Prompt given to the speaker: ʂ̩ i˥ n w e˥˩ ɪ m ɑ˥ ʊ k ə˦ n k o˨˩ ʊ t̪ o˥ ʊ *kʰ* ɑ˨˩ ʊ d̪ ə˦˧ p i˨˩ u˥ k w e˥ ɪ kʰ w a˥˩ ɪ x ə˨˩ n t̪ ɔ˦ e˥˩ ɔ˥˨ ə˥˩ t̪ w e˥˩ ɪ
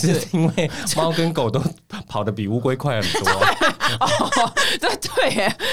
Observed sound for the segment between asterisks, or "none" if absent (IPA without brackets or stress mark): pʰ